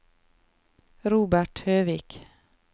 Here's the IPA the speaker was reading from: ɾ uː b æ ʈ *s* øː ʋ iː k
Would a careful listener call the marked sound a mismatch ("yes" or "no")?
yes